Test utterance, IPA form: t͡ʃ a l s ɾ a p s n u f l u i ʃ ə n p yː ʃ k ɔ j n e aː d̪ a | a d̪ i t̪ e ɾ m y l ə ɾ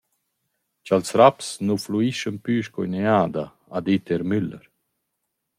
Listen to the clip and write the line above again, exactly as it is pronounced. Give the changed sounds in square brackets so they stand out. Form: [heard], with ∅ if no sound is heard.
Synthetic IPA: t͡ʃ a l s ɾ a p s n u f l u i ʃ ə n p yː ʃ k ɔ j n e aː d̪ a | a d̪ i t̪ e ɾ m y l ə ɾ